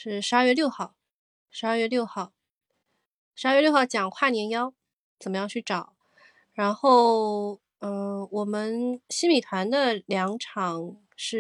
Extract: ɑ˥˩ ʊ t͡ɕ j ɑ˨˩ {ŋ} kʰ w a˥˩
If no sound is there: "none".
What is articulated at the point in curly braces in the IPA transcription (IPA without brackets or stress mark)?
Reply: ŋ